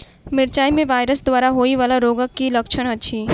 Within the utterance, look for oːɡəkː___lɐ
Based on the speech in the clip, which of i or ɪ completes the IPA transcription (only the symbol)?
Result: i